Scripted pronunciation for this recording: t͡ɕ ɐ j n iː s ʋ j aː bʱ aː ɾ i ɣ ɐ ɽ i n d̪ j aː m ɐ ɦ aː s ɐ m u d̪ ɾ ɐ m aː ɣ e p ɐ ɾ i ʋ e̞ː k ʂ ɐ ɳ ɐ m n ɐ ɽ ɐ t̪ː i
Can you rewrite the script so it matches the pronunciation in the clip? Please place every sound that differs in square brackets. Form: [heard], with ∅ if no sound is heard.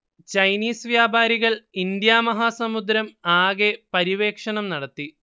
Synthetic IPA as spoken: t͡ɕ ɐ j n iː s ʋ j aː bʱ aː ɾ i ɣ ɐ [ɭ] i n d̪ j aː m ɐ ɦ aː s ɐ m u d̪ ɾ ɐ m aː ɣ e p ɐ ɾ i ʋ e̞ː k ʂ ɐ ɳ ɐ m n ɐ ɽ ɐ t̪ː i